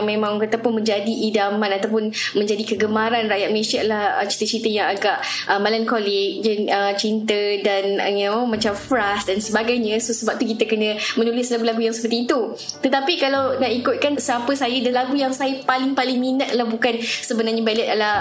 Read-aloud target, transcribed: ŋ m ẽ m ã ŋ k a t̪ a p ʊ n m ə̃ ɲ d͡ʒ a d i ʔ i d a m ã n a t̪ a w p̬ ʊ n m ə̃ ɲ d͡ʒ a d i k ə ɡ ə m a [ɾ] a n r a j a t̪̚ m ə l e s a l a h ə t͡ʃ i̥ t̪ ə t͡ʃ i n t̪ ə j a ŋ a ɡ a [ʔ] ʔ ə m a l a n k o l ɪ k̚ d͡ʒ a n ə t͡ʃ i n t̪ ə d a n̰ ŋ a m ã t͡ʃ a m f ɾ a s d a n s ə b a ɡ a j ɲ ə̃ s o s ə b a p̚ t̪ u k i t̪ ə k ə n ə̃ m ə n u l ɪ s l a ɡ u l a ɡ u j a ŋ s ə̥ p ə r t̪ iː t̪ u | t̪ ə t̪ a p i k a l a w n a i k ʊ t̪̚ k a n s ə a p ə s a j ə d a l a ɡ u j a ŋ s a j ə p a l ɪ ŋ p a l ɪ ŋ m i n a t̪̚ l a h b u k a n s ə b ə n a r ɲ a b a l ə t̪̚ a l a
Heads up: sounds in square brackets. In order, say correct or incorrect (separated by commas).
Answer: correct, correct